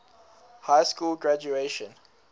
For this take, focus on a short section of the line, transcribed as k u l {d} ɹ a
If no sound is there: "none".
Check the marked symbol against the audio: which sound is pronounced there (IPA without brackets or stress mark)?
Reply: ɡ